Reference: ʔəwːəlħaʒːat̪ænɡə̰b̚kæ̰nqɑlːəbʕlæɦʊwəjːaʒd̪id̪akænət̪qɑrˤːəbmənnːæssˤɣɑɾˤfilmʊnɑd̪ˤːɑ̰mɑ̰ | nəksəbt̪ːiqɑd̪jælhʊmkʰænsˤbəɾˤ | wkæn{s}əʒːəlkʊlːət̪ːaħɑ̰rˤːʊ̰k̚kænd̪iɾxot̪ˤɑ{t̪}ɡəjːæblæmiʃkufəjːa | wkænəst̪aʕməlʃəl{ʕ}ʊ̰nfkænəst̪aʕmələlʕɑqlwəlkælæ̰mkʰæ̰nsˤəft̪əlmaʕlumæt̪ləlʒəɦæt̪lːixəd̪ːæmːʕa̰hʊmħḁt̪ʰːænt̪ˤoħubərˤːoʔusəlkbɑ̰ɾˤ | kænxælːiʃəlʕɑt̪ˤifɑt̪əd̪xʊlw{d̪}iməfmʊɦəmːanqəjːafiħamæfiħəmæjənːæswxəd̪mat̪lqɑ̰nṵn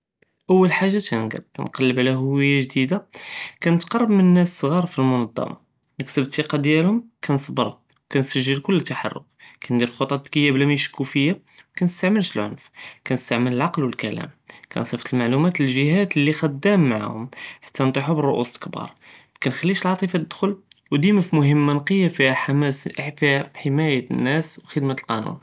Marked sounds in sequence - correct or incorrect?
correct, correct, correct, correct

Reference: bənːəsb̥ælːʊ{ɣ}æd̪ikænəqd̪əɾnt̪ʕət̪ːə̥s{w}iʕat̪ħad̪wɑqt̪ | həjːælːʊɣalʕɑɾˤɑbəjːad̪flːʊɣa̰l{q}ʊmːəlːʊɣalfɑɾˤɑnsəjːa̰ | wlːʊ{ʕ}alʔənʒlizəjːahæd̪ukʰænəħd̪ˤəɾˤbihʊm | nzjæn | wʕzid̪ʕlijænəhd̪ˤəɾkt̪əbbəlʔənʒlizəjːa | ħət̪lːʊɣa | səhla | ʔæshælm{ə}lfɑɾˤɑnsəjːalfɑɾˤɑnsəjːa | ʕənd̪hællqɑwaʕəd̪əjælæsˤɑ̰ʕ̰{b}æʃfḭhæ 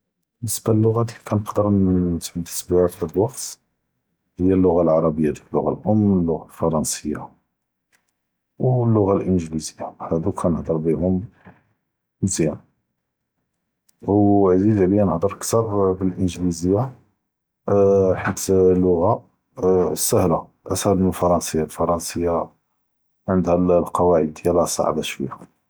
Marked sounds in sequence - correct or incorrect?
correct, incorrect: b, incorrect: ʔ, incorrect: ɣ, correct, correct

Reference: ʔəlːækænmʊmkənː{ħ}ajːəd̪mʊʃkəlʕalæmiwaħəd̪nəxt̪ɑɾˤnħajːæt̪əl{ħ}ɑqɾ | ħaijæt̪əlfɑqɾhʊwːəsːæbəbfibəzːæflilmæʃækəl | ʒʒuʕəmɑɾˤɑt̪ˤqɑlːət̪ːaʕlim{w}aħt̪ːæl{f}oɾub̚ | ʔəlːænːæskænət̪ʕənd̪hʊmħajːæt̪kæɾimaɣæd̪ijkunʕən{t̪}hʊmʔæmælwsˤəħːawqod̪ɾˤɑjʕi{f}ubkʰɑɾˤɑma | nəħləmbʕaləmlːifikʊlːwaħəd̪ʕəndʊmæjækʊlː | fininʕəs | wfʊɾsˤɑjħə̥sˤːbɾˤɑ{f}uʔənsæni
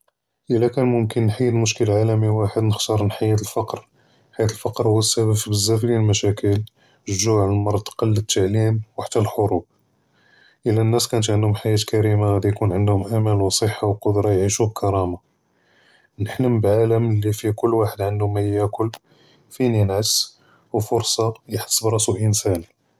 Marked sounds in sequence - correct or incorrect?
correct, incorrect: f, correct, incorrect: ħ, incorrect: d̪, incorrect: ʃ, incorrect: s

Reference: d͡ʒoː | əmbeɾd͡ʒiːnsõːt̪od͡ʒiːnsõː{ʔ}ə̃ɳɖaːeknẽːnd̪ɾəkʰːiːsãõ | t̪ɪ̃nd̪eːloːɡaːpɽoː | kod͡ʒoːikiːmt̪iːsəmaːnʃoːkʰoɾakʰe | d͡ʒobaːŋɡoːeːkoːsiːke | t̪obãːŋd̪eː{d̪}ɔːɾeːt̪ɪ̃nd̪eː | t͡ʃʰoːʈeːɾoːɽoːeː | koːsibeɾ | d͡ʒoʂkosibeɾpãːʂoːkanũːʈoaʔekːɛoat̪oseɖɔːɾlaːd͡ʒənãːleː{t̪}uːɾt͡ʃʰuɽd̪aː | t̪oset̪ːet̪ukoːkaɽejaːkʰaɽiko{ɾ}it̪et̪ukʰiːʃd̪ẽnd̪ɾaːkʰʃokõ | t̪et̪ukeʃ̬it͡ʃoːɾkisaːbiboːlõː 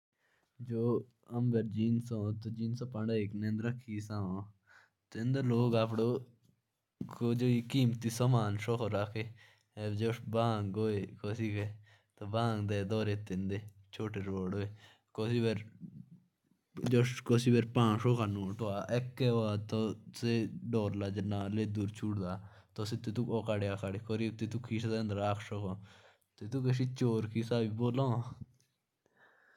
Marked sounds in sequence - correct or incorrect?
incorrect: p, correct, incorrect: d̪, correct

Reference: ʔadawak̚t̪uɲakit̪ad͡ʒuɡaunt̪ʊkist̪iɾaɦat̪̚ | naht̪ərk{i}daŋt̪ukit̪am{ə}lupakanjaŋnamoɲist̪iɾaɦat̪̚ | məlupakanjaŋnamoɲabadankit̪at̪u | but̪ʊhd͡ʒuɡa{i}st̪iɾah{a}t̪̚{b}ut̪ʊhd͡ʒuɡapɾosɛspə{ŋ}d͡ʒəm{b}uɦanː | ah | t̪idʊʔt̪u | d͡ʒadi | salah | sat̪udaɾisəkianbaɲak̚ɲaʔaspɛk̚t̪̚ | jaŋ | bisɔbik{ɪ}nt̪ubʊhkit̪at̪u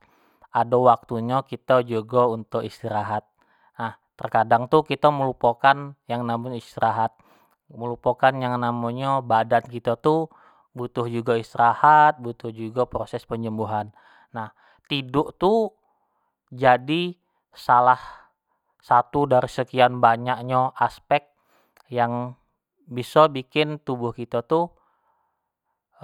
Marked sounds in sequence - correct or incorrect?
incorrect: a, correct, correct, correct, correct, incorrect: ɲ, correct, correct

